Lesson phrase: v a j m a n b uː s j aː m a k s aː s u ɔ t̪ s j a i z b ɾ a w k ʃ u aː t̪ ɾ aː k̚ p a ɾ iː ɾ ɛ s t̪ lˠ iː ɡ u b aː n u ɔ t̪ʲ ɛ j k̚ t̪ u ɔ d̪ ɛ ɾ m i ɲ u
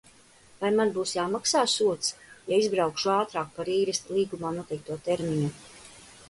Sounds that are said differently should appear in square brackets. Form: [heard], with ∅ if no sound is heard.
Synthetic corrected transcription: v a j m a n b uː s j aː m a k s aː s u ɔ t̪ s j a i z b ɾ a w k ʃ u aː t̪ ɾ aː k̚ p a ɾ iː ɾ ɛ s t̪ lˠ iː ɡ u [m] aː n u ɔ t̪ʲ ɛ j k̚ t̪ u ɔ [t̪] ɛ ɾ m i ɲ u